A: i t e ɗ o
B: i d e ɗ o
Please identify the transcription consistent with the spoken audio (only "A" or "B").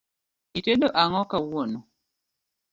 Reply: A